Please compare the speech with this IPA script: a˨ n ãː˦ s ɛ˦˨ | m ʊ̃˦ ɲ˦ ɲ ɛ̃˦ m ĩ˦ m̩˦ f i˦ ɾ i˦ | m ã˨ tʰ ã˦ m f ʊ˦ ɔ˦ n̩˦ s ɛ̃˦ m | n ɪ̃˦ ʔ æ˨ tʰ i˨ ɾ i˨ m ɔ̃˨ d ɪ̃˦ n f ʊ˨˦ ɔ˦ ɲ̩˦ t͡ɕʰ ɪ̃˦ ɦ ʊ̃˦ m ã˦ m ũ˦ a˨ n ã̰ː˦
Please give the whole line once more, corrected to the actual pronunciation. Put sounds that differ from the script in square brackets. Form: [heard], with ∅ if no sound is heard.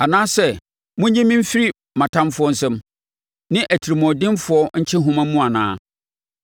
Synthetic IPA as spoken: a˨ n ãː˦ s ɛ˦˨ | m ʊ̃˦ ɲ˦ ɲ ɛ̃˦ m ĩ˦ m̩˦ f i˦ ɾ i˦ | m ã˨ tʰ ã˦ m f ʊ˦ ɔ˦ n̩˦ s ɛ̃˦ m | n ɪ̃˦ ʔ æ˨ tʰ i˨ ɾ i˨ m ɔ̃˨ d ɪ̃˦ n f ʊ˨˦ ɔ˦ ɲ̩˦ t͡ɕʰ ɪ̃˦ ɦ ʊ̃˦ m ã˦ m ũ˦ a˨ n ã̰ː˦